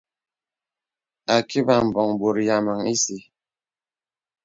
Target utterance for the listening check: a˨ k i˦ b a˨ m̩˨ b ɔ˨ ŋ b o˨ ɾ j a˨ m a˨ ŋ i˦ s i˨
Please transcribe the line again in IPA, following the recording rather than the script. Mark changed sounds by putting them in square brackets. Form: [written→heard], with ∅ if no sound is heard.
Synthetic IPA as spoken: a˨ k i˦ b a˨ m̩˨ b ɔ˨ ŋ b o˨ ɾ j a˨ m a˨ ŋ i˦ s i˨